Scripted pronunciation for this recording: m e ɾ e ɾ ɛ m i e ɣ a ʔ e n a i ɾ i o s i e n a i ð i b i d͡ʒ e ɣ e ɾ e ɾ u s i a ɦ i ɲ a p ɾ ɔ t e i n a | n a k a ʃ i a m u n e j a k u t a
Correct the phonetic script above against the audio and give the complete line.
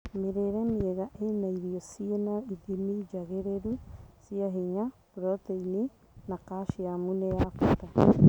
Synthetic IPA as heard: m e ɾ e ɾ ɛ m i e ɣ a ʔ e n a i ɾ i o s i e n a i ð i m i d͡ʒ a ɣ e ɾ e ɾ u s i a ɦ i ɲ a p ɾ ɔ t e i n i | n a k a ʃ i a m u n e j a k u t a

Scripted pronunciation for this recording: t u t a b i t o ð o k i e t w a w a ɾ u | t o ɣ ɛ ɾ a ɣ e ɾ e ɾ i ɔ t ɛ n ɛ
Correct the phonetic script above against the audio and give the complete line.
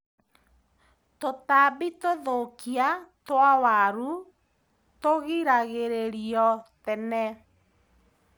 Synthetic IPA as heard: t o t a b i t o ð o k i a t w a w a ɾ u | t o ɣ i ɾ a ɣ e ɾ e ɾ i ɔ t ɛ n ɛ

